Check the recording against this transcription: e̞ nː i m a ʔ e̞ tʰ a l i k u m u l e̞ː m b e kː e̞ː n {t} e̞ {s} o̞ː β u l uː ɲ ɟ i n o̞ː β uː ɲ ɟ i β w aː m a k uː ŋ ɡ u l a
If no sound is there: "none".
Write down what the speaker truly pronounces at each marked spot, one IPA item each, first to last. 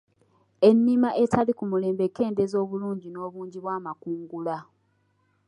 d, z

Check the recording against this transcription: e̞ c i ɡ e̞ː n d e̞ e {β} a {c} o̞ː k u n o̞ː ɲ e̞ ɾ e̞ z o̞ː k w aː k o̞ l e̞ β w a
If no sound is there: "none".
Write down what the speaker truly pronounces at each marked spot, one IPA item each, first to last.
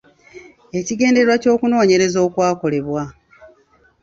w, c

